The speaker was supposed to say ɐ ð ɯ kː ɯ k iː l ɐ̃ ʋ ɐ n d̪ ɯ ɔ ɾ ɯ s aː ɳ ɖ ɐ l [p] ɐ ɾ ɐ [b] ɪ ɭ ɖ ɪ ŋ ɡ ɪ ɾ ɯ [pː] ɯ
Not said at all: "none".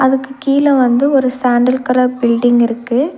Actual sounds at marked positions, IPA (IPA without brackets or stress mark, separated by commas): k, b, kː